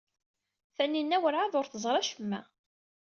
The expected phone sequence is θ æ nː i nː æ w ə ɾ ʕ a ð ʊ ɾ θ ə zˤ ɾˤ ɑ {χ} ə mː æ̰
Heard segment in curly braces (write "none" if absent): ʃ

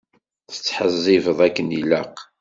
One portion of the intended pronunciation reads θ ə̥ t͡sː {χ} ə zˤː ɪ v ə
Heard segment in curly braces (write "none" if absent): ħ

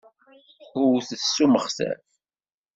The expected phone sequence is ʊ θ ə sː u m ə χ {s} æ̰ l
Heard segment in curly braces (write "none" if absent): s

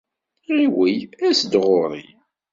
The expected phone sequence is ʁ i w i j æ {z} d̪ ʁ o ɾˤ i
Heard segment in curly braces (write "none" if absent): s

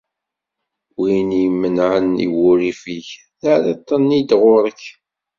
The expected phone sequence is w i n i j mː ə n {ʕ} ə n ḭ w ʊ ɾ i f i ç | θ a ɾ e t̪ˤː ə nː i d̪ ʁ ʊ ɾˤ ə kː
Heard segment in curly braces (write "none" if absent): ʕ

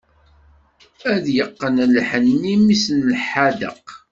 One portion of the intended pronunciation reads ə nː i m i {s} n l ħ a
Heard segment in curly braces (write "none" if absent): s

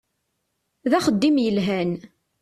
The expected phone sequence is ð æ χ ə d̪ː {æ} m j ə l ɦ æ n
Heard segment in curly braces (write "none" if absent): i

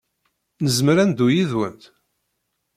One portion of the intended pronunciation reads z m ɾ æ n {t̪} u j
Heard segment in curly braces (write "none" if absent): d̪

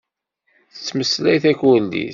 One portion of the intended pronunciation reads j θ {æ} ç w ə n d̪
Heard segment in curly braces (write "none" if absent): æ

